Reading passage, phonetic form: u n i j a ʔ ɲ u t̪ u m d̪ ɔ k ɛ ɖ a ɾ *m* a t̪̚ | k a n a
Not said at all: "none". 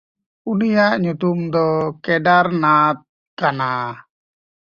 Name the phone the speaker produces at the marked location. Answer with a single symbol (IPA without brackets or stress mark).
n